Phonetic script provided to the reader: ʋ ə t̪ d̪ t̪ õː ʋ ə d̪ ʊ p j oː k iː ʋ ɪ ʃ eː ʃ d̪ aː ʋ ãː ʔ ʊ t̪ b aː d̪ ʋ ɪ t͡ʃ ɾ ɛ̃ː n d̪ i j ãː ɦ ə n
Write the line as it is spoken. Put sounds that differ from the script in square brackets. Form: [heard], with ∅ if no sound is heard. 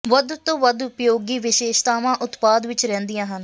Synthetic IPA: ʋ ə [∅] d̪ t̪ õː ʋ ə d̪ ʊ p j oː [ɡ] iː ʋ ɪ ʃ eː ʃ [t̪] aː ʋ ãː ʔ ʊ t̪ [p] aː d̪ ʋ ɪ t͡ʃ ɾ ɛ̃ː n d̪ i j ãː ɦ ə n